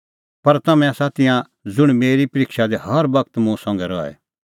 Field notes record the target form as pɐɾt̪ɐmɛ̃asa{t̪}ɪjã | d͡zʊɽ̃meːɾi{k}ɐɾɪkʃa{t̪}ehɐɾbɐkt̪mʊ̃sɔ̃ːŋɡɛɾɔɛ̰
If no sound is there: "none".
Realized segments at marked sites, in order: t̪, p, d̪

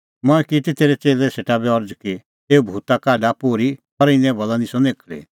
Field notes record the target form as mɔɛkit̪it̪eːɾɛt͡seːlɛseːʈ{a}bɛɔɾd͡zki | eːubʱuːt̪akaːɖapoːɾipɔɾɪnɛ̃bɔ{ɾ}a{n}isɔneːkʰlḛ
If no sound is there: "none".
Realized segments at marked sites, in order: a, l, n

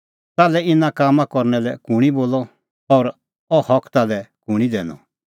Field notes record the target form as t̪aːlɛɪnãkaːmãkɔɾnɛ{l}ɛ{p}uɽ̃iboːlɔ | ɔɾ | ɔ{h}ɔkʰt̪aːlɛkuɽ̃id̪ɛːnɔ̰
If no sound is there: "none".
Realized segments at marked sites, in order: l, k, h

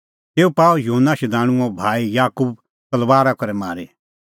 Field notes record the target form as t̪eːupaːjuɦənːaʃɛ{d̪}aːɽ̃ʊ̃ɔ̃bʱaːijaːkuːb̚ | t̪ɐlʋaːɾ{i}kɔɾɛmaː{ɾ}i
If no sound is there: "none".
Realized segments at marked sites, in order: d̪, a, ɾ

